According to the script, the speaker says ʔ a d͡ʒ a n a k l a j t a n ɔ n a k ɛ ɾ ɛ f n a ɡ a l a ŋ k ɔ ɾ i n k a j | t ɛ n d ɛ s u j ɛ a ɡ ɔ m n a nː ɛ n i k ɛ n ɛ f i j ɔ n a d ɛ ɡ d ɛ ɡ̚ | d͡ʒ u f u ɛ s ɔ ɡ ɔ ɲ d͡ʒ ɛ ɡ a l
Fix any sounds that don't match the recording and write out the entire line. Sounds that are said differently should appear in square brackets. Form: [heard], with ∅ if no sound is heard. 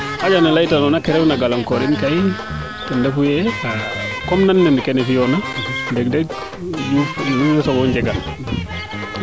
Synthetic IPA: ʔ a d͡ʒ a n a [∅] l a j t a n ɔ n a k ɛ ɾ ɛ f n a ɡ a l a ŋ k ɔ ɾ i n k a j | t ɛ n d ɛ [f] u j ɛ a [k] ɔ m n a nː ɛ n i k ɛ n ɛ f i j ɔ n a d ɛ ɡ d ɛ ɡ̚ | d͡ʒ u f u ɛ s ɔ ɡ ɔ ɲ d͡ʒ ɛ ɡ a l

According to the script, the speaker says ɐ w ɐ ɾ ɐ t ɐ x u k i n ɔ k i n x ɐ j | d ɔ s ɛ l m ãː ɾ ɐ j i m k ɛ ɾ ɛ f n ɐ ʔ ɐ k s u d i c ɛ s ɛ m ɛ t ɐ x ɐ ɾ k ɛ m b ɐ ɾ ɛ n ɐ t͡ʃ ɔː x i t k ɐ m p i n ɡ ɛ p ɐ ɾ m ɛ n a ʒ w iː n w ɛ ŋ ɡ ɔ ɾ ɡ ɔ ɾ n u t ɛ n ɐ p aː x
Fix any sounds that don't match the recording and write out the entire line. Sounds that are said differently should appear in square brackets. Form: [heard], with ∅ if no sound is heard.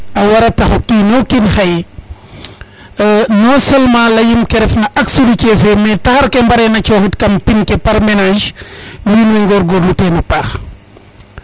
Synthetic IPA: ɐ w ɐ ɾ ɐ t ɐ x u k i n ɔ k i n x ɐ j | [n] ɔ s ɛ l m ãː [l] ɐ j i m k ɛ ɾ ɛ f n ɐ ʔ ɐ k s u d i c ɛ [f] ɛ m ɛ t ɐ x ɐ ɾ k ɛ m b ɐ ɾ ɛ n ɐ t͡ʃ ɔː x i t k ɐ m p i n [k] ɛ p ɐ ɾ m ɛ n a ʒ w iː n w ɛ ŋ ɡ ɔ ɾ ɡ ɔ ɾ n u t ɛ n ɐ p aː x

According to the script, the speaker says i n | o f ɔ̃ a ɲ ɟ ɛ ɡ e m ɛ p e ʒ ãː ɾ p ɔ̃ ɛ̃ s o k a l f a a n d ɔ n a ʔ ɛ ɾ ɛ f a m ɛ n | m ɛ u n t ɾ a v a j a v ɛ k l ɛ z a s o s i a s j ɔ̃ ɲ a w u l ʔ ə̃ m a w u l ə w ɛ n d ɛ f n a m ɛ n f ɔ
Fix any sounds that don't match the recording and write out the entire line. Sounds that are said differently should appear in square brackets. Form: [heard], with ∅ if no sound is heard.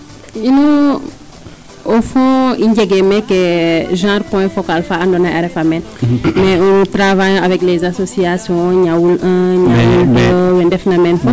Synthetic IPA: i n | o f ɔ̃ [i] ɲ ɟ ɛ ɡ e m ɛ [k] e ʒ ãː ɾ p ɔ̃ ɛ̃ [f] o k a l f a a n d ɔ n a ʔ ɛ ɾ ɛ f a m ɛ n | m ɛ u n t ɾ a v a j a v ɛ k l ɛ z a s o s i a s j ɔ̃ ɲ a w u l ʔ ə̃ [ɲ] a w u l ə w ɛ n d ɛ f n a m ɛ n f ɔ

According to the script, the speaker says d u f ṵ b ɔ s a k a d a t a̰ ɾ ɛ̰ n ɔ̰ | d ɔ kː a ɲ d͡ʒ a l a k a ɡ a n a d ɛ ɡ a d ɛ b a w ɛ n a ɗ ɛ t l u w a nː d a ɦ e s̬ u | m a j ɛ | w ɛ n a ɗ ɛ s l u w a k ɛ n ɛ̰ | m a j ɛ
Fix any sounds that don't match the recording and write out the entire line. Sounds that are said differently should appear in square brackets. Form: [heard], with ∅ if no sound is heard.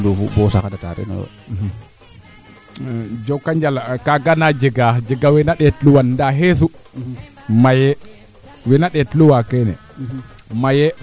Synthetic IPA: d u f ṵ b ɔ s a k a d a t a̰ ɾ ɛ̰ n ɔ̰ | [d͡ʒ] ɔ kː a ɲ d͡ʒ a l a k a ɡ a n a [d͡ʒ] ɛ ɡ a [d͡ʒ] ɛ [ɡ] a w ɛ n a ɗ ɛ t l u w a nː d a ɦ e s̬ u | m a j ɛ | w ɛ n a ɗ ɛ [t] l u w a k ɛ n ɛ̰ | m a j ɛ

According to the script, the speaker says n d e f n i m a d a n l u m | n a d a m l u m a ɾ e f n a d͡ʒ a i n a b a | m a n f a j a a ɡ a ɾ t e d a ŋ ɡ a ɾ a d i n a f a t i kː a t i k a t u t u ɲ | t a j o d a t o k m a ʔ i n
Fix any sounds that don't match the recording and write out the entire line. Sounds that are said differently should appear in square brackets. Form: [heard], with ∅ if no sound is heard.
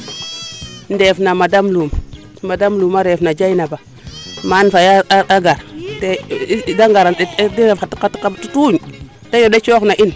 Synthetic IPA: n d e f n [a] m a d a [m] l u m | [m] a d a m l u m a ɾ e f n a d͡ʒ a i n a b a | m a n f a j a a ɡ a ɾ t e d a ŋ ɡ a ɾ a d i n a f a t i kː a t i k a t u t u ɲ | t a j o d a [t͡ʃ] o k [n] a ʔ i n

